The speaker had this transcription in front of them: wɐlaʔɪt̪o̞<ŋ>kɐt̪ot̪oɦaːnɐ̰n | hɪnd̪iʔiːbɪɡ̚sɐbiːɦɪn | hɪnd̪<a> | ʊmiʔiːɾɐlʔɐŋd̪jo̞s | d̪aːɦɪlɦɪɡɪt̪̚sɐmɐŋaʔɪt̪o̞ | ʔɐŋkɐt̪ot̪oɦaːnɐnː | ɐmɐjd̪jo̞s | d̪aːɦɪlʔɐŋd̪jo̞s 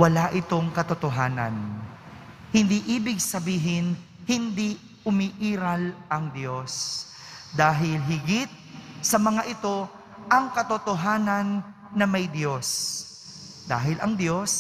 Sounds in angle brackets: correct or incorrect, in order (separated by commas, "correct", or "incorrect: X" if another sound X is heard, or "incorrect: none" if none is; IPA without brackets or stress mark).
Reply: correct, incorrect: i